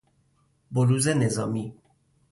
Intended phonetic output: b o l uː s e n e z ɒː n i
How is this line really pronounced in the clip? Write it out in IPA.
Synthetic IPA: b o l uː z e n e z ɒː m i